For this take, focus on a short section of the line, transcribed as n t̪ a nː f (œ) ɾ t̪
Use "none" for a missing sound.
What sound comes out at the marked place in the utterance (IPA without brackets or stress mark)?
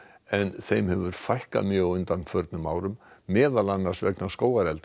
œ